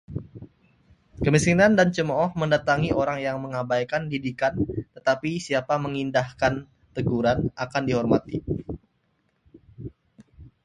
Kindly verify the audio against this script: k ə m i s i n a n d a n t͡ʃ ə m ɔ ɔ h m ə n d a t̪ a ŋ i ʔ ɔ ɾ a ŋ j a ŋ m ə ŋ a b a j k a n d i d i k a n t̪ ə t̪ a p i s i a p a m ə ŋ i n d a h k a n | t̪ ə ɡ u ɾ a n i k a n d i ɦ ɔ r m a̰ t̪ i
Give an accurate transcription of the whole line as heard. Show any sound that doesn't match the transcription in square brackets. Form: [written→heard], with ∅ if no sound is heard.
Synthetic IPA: k ə m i s i n a n d a n t͡ʃ ə m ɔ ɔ h m ə n d a t̪ a ŋ i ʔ [ɔ→o] ɾ a ŋ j a ŋ m ə ŋ a b a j k a n d i d i k a n t̪ ə t̪ a p i s i a p a m ə ŋ i n d a h k a n | t̪ ə ɡ u ɾ a n [i→a] k a n d i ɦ ɔ r m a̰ t̪ i